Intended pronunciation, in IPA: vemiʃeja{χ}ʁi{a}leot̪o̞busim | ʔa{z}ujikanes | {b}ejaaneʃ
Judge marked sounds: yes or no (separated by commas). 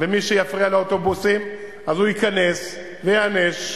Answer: no, yes, yes, no